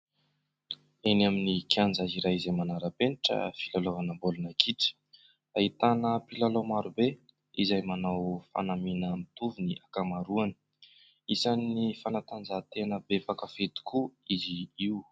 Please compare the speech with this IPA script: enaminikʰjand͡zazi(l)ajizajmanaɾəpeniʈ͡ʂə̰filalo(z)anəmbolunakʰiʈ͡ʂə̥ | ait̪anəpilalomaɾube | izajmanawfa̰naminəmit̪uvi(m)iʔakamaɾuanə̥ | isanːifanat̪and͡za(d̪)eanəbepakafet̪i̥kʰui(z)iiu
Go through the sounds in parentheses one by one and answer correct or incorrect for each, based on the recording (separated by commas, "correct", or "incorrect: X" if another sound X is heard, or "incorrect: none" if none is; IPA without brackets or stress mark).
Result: incorrect: ɾ, incorrect: v, incorrect: n, incorrect: t̪, correct